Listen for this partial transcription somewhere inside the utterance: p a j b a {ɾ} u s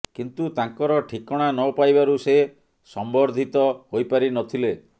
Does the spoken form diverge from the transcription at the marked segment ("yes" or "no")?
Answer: no